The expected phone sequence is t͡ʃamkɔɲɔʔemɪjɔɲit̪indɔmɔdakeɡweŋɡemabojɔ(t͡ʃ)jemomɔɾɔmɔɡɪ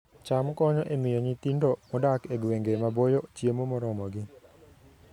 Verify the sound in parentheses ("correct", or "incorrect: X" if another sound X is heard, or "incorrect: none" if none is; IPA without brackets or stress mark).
correct